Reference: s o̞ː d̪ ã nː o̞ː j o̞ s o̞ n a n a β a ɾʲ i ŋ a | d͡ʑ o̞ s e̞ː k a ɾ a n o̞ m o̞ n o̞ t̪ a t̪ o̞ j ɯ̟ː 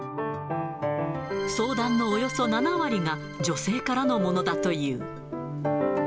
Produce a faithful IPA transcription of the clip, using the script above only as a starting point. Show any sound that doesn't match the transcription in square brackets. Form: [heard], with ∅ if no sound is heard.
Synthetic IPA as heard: s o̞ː d̪ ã nː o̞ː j o̞ s o̞ n a n a β a ɾʲ i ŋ a | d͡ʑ o̞ s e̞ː k a ɾ a n o̞ m o̞ n o̞ [d̪] a t̪ o̞ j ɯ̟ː